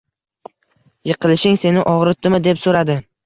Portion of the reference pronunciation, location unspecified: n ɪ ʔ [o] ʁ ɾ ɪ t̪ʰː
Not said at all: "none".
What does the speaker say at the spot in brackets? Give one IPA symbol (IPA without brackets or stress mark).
ɒ